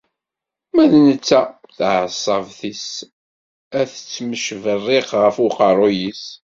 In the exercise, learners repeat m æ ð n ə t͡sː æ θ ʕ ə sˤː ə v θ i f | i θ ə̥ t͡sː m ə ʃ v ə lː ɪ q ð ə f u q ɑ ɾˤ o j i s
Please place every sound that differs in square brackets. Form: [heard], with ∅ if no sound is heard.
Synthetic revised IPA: m æ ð n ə t͡sː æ θ ʕ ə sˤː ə v θ i [s] | [æ] θ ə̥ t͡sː m ə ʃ v ə [rː] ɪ q [ʁ] ə f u q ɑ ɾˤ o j i s